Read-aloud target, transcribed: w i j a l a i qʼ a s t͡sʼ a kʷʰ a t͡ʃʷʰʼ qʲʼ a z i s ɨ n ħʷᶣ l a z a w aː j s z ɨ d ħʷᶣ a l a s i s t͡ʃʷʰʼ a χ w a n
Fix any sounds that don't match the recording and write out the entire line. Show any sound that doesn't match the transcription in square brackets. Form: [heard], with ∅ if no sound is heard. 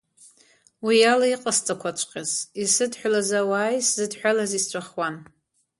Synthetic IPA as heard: w i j a l a i qʼ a s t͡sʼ a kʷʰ a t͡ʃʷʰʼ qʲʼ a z i s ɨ [d] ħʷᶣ l a z a w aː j s z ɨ d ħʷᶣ a l a [z] i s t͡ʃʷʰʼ a χ w a n